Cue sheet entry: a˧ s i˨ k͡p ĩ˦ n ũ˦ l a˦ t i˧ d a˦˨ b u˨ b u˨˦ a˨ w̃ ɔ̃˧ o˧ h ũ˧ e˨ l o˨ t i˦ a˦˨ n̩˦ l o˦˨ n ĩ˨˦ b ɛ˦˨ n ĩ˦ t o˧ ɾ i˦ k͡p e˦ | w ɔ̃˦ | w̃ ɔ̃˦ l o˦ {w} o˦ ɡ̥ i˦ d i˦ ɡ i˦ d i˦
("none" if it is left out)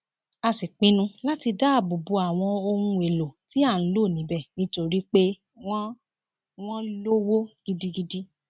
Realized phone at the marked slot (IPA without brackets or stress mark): w